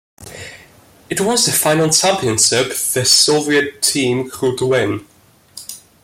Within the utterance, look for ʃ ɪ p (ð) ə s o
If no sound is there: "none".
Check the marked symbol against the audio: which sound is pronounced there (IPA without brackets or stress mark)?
ð